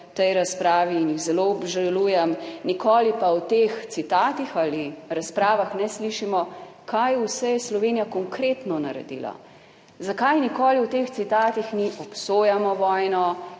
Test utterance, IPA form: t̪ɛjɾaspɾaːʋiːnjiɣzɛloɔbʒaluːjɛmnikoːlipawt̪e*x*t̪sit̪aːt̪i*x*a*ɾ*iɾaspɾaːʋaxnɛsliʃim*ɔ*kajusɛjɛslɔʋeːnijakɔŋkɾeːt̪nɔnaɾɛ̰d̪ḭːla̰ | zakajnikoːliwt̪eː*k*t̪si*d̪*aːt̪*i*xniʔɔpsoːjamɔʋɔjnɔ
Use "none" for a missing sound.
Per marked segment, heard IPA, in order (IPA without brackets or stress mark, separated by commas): x, x, l, ɔ, x, t̪, i